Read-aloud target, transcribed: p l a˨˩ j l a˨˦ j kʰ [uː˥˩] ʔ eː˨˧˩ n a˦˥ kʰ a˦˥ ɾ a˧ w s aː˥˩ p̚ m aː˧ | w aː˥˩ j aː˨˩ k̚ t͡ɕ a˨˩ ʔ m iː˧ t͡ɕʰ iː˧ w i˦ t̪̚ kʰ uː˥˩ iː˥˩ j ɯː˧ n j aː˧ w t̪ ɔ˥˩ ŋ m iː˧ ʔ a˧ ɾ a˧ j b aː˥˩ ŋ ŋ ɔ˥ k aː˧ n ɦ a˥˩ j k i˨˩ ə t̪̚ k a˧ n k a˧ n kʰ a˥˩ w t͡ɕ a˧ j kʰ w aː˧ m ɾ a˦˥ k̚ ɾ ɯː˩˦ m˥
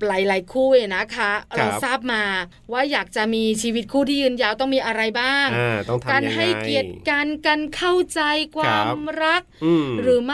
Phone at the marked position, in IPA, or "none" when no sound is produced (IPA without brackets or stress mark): uː˥˩